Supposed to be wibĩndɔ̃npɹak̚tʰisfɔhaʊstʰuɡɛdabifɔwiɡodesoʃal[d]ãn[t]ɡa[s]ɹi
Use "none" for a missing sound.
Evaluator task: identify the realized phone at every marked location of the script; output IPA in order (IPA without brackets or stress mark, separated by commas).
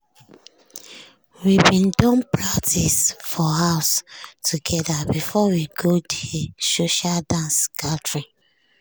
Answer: d, s, t